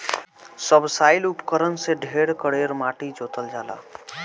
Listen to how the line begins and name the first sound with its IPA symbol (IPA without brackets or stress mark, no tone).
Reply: s